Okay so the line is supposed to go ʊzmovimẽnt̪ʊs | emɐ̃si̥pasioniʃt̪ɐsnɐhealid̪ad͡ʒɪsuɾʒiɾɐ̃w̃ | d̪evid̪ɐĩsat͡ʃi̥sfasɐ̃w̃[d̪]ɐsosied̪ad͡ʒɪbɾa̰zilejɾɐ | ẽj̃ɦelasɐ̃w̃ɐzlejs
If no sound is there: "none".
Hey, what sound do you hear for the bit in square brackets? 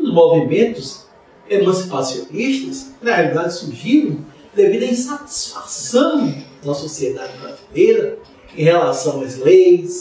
d̪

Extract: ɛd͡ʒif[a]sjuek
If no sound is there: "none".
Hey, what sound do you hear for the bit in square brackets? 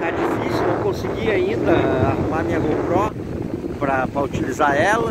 i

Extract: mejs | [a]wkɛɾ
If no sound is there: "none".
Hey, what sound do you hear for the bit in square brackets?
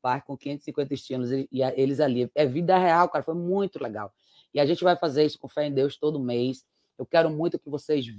e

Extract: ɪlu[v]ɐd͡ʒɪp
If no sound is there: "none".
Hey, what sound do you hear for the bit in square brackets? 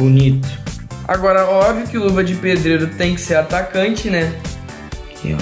v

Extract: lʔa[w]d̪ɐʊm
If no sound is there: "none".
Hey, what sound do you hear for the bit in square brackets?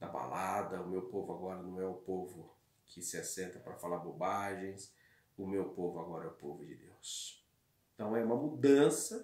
none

